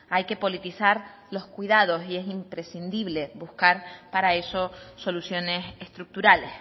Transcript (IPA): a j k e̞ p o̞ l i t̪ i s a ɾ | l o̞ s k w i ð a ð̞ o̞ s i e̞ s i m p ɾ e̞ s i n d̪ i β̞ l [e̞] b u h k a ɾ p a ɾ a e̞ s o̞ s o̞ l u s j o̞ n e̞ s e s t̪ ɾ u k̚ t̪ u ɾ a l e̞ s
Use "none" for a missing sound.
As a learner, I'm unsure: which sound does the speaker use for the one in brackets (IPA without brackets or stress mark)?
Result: e̞